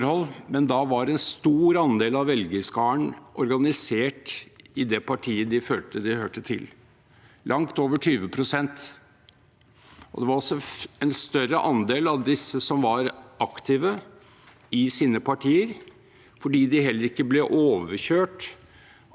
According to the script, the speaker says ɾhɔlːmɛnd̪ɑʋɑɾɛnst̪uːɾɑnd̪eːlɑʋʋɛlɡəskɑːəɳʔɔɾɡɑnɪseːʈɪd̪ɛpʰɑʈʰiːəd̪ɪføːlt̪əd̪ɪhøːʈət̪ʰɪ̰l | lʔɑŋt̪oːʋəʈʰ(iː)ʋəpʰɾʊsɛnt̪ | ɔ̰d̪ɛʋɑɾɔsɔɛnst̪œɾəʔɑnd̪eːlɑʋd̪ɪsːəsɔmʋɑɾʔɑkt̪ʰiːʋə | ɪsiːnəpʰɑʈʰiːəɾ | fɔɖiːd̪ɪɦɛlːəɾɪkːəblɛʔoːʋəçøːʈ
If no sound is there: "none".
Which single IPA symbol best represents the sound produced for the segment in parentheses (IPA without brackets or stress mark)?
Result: yː